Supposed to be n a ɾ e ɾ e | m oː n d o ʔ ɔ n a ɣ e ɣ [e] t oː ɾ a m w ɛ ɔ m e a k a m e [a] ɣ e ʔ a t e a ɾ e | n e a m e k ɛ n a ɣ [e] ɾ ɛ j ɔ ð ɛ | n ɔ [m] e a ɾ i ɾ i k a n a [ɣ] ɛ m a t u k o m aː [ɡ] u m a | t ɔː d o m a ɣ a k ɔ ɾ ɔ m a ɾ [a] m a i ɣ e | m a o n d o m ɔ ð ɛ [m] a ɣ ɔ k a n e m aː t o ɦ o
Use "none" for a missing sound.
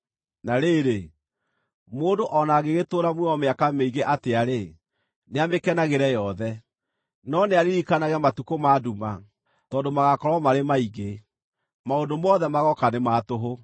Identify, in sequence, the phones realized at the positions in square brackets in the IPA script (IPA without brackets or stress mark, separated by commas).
e, i, e, n, ɣ, d, e, m